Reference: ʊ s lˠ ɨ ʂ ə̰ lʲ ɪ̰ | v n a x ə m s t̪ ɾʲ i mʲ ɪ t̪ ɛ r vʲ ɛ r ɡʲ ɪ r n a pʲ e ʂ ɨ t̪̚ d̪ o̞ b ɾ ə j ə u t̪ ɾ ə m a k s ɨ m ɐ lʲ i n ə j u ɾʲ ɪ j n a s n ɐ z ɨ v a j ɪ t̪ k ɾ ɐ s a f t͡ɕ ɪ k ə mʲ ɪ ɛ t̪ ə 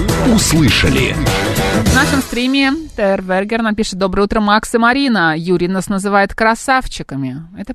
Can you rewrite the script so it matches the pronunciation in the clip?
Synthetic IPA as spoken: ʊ s lˠ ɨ ʂ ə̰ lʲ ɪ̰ | v n a ʂ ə m s t̪ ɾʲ i mʲ ɪ t̪ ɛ r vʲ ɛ r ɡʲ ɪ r n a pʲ i ʂ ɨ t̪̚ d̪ o̞ b ɾ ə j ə u t̪ ɾ ə m a k s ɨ m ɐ ɾʲ i n ə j u ɾʲ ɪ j n a s n ə z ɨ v a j ɪ t̪ k ɾ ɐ s a f t͡ɕ ɪ k ə mʲ ɪ ɛ t̪ ə